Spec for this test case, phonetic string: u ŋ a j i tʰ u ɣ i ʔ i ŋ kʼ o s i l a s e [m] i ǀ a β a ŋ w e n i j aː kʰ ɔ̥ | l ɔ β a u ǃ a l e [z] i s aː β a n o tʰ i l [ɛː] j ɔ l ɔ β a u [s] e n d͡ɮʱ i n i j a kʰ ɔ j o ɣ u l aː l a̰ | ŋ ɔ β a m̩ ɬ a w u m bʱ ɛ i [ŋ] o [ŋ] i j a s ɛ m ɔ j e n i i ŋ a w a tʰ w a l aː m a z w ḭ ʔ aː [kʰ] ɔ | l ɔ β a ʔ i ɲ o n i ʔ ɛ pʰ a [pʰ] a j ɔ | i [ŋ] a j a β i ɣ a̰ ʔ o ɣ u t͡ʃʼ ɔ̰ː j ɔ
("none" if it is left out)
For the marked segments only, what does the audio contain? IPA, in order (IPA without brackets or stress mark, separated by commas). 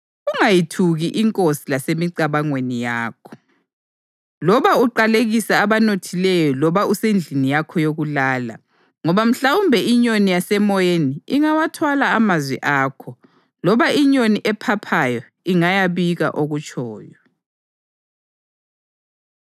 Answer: m, ɣ, ɛ, s, ɲ, n, kʰ, pʰ, ŋ